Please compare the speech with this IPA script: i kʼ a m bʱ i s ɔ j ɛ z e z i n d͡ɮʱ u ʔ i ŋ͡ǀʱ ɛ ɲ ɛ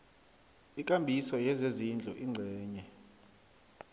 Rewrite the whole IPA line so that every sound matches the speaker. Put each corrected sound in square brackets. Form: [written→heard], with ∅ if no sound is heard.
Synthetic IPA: i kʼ a m bʱ i s ɔ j ɛ z e z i n d͡ɮʱ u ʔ i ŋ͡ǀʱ [ɛ→ɛː] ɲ ɛ